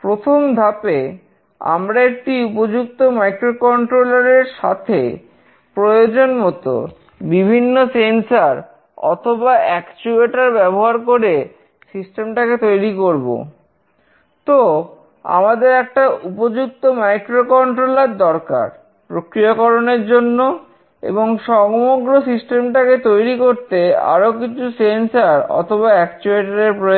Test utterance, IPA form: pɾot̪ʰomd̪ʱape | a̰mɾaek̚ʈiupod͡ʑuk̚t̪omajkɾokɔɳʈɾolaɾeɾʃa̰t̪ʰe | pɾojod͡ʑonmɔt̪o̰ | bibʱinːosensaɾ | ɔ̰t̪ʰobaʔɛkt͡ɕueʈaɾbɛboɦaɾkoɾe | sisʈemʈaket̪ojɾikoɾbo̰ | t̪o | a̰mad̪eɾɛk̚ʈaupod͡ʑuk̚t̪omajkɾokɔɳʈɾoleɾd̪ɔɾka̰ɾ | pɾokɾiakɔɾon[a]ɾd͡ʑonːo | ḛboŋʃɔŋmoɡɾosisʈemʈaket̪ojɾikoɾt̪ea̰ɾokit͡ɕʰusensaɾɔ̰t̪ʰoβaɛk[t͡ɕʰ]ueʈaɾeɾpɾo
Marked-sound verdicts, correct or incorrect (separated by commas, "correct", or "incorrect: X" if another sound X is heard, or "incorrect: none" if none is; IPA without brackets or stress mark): incorrect: e, incorrect: t͡ɕ